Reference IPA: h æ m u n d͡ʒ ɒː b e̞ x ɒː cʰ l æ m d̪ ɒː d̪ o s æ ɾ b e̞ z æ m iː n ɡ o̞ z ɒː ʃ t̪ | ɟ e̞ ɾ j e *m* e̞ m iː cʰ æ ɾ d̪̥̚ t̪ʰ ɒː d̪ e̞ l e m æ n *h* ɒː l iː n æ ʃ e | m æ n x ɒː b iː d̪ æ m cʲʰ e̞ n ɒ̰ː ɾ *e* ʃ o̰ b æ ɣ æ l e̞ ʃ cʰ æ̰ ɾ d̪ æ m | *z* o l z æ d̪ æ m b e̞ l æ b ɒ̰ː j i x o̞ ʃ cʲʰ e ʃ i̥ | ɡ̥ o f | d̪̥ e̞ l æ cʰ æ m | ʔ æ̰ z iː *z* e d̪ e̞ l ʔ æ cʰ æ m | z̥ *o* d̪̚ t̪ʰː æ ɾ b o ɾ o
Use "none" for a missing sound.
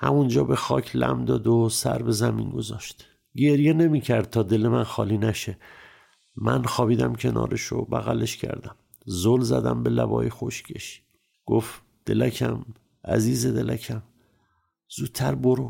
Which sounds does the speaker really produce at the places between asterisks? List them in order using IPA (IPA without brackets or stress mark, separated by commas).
n, x, e, z, z, u